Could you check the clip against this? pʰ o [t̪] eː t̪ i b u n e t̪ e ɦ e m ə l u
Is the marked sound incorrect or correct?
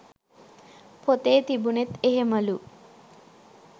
correct